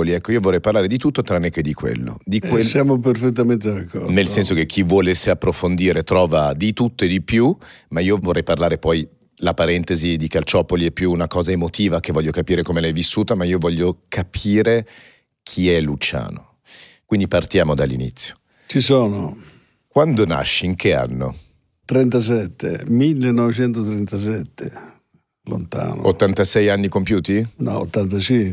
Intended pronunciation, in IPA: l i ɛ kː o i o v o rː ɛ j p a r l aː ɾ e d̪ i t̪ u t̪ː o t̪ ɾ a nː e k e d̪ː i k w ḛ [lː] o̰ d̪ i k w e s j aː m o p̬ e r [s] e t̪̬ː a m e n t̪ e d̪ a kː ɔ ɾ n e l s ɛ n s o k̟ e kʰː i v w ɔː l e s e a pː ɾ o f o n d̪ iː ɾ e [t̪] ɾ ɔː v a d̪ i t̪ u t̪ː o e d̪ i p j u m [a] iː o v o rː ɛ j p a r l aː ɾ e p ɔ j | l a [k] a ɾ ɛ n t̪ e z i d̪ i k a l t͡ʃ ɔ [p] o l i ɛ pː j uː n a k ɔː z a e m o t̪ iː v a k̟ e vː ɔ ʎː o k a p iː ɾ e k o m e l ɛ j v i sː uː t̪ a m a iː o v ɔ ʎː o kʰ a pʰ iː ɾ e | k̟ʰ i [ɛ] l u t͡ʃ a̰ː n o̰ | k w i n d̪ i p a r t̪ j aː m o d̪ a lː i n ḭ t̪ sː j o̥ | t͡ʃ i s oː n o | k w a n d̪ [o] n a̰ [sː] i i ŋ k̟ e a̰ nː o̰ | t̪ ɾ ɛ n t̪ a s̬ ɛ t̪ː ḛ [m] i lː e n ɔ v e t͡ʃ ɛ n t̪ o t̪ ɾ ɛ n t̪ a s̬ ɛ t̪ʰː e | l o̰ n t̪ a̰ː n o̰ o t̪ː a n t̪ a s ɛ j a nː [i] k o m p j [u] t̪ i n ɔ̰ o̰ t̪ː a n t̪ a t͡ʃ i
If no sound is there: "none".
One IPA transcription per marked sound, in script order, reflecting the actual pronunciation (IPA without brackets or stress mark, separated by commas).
lː, f, t̪, a, p, p, ɛ, o, ʃː, m, i, uː